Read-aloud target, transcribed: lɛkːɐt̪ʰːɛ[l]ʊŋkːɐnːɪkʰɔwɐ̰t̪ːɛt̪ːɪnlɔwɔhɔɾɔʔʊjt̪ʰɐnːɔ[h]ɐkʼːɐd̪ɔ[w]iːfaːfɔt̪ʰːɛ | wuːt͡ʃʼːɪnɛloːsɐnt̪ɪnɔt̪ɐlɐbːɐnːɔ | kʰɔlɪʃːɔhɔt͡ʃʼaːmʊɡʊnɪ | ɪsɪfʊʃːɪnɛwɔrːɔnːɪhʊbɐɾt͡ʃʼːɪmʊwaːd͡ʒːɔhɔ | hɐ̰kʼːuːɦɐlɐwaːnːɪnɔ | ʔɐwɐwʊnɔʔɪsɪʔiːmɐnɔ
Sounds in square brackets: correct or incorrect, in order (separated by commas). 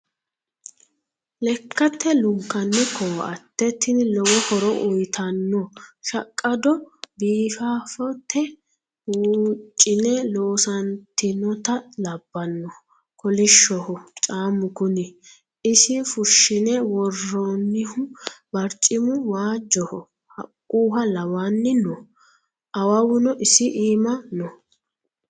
correct, incorrect, incorrect